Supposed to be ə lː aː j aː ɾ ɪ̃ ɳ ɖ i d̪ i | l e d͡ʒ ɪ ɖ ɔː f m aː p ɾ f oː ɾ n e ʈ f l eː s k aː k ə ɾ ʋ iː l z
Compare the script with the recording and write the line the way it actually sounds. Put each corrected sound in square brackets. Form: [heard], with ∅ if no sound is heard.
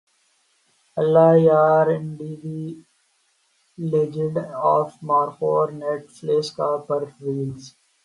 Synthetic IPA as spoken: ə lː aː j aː ɾ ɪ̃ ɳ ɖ i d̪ i | l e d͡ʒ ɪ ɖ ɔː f m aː [∅] ɾ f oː ɾ n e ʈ f l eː s k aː [p] ə ɾ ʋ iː l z